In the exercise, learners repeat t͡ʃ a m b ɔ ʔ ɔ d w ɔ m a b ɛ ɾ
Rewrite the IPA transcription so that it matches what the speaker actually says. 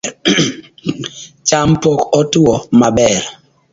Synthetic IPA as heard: t͡ʃ a m p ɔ k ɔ t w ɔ m a b ɛ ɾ